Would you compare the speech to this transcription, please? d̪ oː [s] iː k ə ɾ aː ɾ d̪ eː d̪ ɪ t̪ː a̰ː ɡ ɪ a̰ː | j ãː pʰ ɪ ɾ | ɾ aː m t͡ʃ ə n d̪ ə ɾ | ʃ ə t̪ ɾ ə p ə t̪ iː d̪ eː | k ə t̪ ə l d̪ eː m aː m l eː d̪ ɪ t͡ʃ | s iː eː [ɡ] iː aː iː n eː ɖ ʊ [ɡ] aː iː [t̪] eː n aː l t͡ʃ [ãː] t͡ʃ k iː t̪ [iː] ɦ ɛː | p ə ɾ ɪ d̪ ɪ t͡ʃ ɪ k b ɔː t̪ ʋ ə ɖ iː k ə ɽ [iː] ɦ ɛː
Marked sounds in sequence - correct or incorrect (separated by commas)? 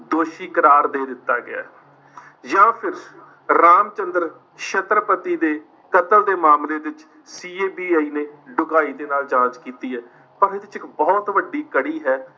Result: incorrect, incorrect, correct, incorrect, correct, correct, correct